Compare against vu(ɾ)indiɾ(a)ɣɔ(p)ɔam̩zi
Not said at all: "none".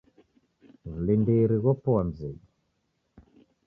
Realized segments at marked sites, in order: l, i, p

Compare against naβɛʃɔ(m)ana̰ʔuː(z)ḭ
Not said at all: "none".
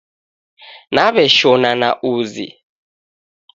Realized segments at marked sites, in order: n, z

